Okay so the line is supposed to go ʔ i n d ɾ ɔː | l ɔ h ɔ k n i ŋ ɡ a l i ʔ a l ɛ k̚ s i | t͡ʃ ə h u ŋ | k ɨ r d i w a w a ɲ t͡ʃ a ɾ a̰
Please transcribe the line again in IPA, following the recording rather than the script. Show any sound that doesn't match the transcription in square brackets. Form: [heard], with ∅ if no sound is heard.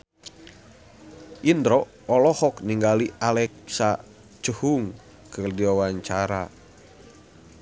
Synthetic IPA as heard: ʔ i n d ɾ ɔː | l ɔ h ɔ k n i ŋ ɡ a l i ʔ a l ɛ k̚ s [a] | t͡ʃ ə h u ŋ | k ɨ r d i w a w a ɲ t͡ʃ a ɾ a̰